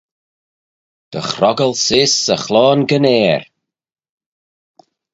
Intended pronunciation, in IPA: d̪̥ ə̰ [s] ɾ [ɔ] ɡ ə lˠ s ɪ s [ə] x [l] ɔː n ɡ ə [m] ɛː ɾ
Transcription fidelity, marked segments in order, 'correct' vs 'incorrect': incorrect, correct, correct, correct, incorrect

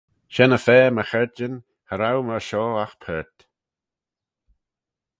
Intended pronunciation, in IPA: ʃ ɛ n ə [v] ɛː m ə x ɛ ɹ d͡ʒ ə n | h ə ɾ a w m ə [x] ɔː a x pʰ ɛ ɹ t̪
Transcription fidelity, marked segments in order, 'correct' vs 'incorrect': incorrect, incorrect

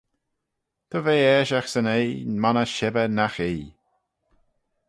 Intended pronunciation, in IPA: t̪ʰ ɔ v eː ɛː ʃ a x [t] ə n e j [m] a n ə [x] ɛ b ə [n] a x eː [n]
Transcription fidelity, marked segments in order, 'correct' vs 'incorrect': incorrect, correct, incorrect, correct, incorrect

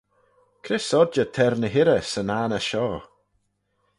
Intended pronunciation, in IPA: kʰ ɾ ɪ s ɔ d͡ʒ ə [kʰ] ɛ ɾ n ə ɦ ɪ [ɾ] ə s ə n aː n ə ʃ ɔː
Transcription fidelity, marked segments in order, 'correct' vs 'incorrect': incorrect, correct

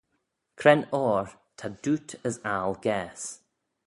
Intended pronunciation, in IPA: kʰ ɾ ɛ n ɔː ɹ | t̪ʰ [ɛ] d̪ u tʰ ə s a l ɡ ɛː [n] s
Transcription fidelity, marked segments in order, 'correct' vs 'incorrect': incorrect, incorrect

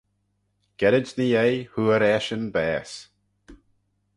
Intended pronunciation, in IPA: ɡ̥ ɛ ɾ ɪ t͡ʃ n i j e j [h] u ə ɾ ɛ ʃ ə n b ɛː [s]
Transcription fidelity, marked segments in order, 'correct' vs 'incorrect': correct, correct

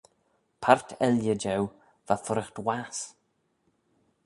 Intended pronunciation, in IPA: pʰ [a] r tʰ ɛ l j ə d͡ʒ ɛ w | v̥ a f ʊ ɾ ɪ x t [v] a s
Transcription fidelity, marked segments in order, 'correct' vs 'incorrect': correct, incorrect

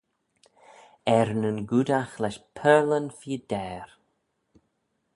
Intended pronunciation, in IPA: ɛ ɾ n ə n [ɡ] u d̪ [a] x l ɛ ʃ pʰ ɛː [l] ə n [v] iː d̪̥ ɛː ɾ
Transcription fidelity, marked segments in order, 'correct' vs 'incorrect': correct, correct, correct, incorrect

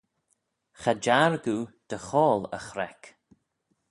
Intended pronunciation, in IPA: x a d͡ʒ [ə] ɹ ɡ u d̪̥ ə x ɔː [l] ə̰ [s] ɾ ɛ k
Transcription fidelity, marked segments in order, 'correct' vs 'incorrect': incorrect, correct, incorrect

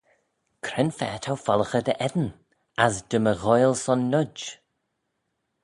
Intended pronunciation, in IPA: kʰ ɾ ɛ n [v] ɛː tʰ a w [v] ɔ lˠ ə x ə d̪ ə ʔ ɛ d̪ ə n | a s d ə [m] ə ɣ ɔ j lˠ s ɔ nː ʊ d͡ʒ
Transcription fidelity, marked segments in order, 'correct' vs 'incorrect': incorrect, incorrect, correct

